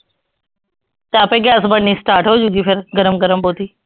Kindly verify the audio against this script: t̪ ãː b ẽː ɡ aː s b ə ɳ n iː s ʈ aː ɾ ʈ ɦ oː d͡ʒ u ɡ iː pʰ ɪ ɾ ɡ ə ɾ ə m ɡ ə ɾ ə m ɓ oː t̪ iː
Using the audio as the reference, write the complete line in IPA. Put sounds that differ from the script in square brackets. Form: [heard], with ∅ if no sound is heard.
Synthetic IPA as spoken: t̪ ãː [p] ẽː ɡ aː s b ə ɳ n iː s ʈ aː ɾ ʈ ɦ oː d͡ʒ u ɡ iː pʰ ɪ ɾ ɡ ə ɾ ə m ɡ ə ɾ ə m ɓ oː t̪ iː